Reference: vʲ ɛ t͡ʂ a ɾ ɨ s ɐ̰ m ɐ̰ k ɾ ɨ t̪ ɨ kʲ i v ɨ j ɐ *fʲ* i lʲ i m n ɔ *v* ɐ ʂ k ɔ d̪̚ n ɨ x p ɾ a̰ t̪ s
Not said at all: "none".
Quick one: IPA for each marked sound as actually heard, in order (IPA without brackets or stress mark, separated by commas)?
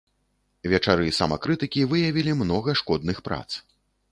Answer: vʲ, ɣ